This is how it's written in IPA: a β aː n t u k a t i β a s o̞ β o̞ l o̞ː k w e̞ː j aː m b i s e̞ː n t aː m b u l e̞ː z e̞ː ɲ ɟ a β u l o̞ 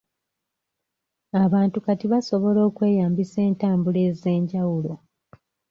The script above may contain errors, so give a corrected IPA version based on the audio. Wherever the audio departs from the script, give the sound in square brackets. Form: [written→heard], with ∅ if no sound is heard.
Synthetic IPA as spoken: a β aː n t u k a t i β a s o̞ β o̞ l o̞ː k w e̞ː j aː m b i s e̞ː n t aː m b u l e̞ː z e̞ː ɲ ɟ a [β→w] u l o̞